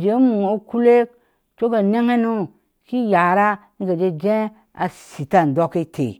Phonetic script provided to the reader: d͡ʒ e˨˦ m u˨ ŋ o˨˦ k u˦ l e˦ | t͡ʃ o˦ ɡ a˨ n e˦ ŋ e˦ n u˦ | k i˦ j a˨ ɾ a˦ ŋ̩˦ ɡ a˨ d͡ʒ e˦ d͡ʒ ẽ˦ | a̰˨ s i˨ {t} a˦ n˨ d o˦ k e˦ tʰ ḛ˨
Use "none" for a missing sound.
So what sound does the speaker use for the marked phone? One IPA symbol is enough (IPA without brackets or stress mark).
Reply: t